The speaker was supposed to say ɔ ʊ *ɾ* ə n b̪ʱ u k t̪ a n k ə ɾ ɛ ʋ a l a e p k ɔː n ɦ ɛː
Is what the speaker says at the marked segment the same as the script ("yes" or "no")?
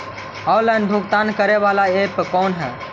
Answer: no